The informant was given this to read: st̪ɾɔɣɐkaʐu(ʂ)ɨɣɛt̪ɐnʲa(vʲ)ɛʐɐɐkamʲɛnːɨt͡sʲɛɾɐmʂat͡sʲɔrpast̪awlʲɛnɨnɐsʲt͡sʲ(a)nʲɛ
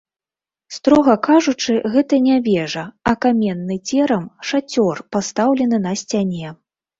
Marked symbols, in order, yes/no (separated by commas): no, yes, yes